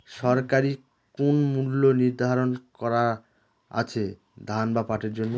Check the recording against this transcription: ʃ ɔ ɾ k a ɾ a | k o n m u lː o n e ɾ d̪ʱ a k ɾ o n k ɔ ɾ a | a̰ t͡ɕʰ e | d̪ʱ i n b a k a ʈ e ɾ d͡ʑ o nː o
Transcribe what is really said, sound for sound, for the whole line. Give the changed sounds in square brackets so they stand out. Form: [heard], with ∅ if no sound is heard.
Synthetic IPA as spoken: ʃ ɔ ɾ k a ɾ [i] | k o n m u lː o n [i] ɾ d̪ʱ a [∅] ɾ o n k ɔ ɾ a | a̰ t͡ɕʰ e | d̪ʱ [a] n b a [p] a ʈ e ɾ d͡ʑ o nː o